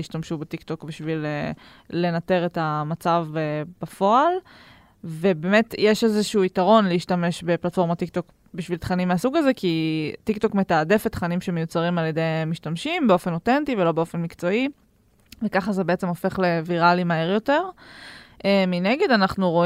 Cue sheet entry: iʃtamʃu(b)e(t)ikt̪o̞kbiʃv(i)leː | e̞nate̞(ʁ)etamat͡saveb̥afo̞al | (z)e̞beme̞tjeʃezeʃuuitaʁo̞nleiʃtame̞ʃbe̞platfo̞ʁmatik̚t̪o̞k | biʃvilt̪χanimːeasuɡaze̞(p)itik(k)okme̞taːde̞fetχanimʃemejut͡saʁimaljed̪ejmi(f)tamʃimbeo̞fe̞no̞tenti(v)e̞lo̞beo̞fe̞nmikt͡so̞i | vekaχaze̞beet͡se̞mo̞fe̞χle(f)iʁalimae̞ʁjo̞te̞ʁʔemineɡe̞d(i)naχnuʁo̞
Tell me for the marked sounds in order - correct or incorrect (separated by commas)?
correct, correct, correct, correct, incorrect, incorrect, incorrect, incorrect, correct, incorrect, incorrect